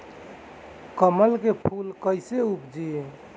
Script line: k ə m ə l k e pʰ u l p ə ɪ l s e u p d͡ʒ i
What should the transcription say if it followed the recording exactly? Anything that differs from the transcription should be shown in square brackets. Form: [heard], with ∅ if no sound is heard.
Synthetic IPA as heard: k ə m ə l k e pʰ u l [k] ə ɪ [∅] s e u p d͡ʒ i